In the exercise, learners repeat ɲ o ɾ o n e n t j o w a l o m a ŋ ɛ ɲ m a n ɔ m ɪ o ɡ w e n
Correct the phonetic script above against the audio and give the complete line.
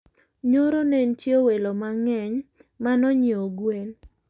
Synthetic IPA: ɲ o ɾ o n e n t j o w e l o m a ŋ ɛ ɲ m a n ɔ ɲ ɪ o ɡ w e n